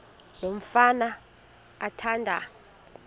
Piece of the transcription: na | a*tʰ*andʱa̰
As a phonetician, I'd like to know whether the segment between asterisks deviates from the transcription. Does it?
no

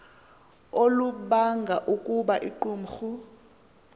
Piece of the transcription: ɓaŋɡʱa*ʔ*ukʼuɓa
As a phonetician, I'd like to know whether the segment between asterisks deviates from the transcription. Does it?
no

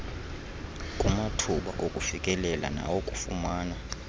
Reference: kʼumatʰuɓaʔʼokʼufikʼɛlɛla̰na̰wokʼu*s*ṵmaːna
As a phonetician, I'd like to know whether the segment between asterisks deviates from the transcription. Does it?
yes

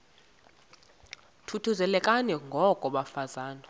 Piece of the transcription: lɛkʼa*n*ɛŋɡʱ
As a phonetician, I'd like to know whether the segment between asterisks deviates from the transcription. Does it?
no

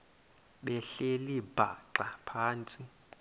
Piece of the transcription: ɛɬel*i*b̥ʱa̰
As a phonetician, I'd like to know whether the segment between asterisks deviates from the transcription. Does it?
no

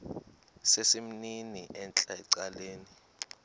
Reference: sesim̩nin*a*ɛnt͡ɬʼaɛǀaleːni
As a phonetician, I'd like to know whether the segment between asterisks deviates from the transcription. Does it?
yes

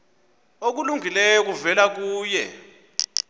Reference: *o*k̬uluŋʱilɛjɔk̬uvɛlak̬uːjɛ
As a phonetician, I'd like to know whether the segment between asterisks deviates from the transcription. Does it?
no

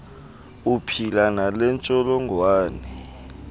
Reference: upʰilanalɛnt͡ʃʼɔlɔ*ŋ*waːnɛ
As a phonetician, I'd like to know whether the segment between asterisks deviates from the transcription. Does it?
no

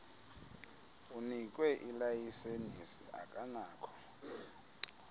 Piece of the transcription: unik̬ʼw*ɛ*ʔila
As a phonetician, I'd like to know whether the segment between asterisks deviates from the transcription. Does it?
no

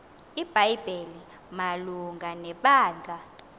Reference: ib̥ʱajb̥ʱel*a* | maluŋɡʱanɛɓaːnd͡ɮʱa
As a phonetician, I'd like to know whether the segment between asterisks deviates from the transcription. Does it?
yes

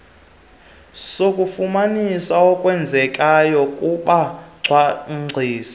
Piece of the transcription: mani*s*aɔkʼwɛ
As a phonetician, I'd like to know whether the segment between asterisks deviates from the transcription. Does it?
no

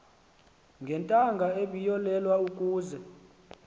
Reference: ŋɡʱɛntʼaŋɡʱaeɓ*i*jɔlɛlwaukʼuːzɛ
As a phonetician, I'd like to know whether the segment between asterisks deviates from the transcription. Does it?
no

